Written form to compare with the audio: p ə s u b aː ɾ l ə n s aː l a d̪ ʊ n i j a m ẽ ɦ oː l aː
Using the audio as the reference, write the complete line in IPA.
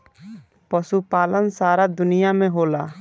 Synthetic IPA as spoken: p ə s u p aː l ə n s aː ɾ a d̪ ʊ n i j a m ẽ ɦ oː l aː